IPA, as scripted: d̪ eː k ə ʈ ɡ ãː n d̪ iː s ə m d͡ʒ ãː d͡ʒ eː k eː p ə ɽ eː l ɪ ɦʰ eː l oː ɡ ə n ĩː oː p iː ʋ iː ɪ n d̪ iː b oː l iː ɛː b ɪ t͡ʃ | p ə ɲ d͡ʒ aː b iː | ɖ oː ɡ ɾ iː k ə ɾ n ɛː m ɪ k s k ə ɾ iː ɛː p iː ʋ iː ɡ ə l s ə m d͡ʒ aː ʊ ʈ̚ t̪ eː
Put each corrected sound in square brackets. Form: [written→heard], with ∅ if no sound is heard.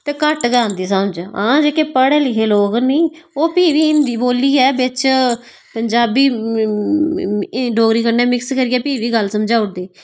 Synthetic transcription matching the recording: [d̪→t̪] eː k ə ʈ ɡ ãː n d̪ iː s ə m d͡ʒ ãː d͡ʒ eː k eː p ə ɽ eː l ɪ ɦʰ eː l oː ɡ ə n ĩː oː p iː ʋ iː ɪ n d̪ iː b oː l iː ɛː b ɪ t͡ʃ | p ə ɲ d͡ʒ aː b iː | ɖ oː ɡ ɾ iː k ə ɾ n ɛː m ɪ k s k ə ɾ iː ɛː p iː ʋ iː ɡ ə l s ə m d͡ʒ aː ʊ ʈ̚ [t̪→d̪] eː